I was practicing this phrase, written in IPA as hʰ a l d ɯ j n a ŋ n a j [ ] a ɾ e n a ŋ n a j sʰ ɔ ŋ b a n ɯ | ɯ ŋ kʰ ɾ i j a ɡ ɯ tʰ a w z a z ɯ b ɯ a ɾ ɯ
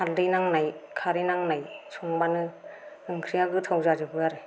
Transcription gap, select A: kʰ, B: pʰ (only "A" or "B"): A